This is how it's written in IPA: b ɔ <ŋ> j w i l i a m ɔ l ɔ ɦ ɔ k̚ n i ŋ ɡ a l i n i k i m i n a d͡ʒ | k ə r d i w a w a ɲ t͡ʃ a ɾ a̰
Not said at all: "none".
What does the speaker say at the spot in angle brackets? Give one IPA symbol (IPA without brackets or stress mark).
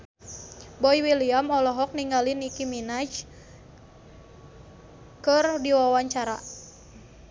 none